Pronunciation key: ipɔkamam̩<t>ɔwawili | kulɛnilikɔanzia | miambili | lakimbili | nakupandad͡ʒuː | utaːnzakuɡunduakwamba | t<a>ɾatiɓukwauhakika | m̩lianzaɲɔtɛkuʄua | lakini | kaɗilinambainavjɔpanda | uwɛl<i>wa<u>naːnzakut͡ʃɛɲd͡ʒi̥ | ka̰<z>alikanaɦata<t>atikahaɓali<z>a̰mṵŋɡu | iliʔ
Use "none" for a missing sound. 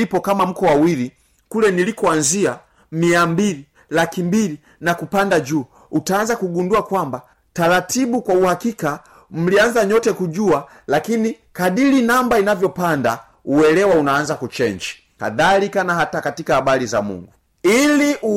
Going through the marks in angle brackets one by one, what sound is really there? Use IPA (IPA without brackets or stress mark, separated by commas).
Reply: k, a, ɛ, u, ð, k, z